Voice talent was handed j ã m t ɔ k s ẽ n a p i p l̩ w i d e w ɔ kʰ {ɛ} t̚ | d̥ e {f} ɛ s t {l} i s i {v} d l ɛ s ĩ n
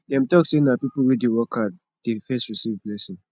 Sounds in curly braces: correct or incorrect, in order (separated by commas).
incorrect, correct, incorrect, correct